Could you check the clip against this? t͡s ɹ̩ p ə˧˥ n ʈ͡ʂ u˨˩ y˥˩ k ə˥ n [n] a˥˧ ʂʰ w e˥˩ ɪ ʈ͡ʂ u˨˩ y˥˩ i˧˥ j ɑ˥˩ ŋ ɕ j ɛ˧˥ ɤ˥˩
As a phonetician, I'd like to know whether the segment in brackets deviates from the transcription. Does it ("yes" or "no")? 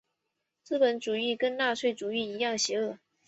no